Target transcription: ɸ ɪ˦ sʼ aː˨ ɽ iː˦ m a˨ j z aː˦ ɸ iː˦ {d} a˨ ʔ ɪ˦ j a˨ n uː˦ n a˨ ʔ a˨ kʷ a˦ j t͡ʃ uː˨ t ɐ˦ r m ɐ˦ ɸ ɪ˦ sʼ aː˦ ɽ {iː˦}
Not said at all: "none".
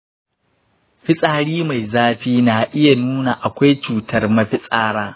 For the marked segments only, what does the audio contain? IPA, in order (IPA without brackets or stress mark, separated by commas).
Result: n, aː˦